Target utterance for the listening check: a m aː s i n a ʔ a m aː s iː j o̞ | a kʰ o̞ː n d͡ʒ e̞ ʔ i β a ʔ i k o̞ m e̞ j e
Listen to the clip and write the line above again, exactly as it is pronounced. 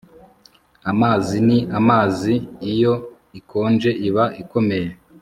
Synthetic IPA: a m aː z i n i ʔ a m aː z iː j o̞ | i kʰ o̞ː n d͡ʒ e̞ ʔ i β a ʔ i k o̞ m e̞ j e